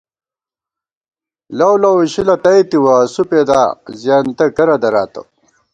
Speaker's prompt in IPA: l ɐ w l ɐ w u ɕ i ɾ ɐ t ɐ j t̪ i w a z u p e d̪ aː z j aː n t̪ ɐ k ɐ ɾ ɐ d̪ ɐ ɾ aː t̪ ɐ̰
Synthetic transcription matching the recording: l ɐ w l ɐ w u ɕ i l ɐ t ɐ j t̪ i w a s u p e d̪ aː z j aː n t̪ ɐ k ɐ ɾ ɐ d̪ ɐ ɾ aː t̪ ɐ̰